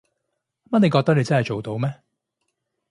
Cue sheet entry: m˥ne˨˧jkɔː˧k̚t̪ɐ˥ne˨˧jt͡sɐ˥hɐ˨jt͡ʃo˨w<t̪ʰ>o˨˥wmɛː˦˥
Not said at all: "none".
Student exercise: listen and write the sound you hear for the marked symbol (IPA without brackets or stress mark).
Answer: t̪